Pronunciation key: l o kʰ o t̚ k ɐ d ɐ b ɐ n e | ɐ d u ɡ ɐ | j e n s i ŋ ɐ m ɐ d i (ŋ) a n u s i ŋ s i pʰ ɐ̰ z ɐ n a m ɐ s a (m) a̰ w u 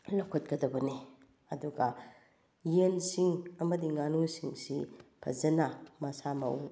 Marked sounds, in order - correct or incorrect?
correct, correct

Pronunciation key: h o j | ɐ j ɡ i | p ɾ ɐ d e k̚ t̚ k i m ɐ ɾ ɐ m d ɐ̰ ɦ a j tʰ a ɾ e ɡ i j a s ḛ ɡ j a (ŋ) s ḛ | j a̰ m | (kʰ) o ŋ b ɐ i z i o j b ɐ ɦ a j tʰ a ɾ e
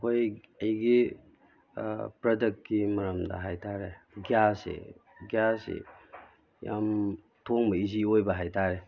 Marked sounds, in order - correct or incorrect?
incorrect, incorrect

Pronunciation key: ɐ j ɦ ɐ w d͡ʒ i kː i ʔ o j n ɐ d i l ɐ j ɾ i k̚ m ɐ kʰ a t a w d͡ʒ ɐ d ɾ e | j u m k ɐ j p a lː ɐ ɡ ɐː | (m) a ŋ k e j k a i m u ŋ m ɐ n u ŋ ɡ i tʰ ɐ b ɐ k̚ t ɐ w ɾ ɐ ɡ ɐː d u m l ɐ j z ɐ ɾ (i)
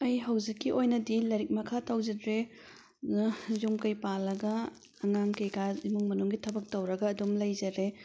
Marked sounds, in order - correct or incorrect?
incorrect, incorrect

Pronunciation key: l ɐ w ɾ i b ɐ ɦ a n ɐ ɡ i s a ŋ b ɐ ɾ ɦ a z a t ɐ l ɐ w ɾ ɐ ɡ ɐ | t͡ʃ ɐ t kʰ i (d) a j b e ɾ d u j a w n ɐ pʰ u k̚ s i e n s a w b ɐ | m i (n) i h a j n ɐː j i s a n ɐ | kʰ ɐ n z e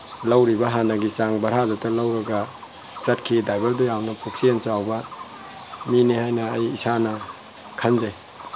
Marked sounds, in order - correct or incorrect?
correct, correct

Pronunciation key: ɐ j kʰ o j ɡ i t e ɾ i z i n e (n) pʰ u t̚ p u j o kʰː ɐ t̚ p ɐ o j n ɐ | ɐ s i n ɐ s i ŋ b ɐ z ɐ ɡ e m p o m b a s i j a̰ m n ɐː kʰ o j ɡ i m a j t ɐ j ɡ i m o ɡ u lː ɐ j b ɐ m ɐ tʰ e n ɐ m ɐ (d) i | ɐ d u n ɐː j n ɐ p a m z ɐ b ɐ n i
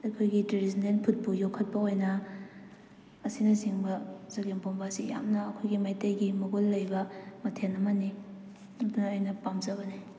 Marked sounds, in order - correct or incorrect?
correct, incorrect

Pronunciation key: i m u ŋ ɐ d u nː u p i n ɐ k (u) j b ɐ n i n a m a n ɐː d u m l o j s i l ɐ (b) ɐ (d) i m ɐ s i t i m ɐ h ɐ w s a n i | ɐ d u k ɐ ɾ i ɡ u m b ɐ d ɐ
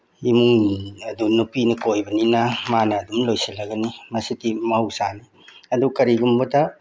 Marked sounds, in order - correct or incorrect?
incorrect, incorrect, incorrect

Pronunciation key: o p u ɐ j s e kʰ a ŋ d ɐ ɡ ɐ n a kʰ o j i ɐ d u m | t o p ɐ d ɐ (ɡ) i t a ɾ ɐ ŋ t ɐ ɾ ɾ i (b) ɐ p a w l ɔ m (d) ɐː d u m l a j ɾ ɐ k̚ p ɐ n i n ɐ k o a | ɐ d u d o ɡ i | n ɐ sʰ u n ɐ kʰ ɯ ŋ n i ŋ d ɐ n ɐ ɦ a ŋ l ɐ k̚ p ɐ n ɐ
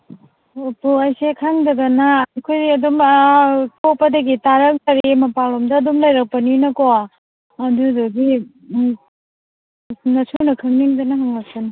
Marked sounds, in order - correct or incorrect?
correct, incorrect, correct

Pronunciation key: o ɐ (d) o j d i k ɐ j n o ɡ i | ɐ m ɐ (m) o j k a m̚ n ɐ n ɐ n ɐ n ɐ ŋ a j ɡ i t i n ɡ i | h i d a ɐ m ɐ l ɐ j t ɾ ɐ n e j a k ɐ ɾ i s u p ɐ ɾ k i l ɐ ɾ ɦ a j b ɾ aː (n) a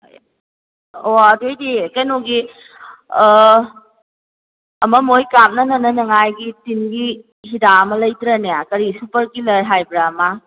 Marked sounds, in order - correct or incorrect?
correct, correct, incorrect

